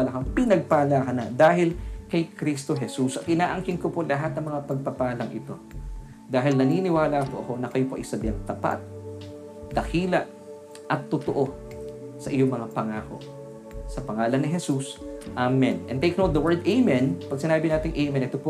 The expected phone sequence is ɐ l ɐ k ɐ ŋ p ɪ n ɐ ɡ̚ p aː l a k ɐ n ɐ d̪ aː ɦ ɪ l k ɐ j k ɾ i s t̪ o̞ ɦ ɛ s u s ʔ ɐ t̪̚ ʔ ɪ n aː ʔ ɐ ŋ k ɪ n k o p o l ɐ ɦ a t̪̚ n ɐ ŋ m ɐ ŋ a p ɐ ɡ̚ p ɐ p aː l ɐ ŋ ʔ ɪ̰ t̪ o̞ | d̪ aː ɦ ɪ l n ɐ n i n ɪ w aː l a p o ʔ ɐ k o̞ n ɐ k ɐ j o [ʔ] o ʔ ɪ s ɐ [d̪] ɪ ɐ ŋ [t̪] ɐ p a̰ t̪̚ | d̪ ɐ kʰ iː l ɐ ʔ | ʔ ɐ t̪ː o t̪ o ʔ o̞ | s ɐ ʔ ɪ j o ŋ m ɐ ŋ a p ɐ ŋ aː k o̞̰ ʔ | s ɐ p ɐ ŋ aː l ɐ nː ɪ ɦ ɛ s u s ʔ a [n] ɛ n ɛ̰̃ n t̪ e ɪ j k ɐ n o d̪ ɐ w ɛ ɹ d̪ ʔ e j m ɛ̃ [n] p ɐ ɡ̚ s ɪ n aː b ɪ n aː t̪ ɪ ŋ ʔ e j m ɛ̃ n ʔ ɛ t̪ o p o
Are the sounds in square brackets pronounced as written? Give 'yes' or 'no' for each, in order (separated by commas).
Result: no, yes, yes, no, yes